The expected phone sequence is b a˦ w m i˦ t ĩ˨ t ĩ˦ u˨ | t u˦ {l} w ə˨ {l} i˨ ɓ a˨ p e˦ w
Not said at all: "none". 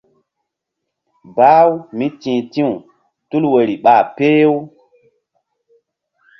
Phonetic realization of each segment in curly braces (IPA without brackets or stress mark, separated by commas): l, ɾ